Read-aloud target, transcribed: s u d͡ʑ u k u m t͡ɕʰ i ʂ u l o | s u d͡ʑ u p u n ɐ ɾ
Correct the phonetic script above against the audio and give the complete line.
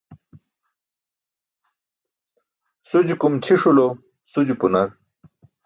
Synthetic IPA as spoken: s u d͡ʑ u k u m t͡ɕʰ i ʂ u l o | s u d͡ʑ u p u n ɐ ɾ